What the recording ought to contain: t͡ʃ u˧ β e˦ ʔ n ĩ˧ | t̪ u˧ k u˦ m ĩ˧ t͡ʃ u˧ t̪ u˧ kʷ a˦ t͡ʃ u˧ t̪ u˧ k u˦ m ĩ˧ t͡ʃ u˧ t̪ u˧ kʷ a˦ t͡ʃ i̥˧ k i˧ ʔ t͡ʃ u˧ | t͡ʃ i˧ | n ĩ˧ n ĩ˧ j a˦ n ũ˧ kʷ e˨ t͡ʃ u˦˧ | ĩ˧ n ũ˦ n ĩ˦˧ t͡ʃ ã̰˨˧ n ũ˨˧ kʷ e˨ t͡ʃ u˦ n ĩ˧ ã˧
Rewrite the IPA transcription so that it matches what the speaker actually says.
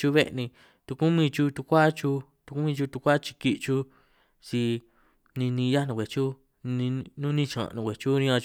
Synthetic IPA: t͡ʃ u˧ β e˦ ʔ n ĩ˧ | t̪ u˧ k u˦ m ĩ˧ t͡ʃ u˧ t̪ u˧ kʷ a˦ t͡ʃ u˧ t̪ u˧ k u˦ m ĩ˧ t͡ʃ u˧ t̪ u˧ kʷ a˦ t͡ʃ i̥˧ k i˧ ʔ t͡ʃ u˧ | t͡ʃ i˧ | n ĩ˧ n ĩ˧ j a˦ n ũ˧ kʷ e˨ t͡ʃ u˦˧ | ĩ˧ n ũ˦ n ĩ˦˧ t͡ʃ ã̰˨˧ n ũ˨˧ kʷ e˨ t͡ʃ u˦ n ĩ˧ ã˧